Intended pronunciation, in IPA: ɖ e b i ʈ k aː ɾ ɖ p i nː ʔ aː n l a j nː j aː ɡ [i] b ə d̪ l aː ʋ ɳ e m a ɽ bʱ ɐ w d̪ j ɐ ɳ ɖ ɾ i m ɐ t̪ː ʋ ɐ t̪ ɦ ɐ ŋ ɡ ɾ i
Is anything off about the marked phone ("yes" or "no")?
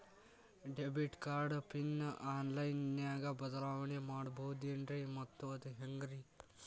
yes